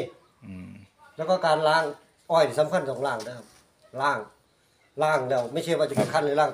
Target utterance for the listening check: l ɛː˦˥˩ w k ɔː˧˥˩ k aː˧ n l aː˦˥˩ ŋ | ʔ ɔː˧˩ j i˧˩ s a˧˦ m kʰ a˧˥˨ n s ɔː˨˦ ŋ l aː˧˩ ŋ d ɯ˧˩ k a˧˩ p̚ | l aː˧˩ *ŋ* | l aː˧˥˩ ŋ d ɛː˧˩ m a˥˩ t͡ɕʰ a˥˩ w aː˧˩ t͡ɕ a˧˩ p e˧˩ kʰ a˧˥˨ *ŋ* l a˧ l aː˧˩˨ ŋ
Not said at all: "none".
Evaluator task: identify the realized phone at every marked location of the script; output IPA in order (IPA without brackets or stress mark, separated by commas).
ŋ, n